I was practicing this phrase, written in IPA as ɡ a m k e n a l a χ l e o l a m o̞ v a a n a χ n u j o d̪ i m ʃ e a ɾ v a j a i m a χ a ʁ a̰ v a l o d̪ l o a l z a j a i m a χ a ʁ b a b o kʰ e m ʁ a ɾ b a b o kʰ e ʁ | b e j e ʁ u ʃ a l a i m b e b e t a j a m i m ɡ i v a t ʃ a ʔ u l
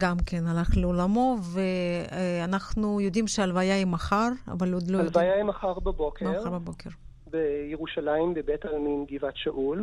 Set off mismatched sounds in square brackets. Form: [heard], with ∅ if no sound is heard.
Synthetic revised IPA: ɡ a m k e n a l a χ l e o l a m o̞ v [e] a n a χ n u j o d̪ i m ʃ e a [l] v a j a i m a χ a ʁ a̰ v a l o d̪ l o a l [v] a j a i m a χ a ʁ b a b o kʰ e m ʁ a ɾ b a b o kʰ e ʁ | b e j e ʁ u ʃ a l a i m b e b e t a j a m i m ɡ i v a t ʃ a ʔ u l